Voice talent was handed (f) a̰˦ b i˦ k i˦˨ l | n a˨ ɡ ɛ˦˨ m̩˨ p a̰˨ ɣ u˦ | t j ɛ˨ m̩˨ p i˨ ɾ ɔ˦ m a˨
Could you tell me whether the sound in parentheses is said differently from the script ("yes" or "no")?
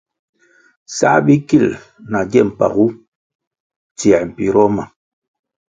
yes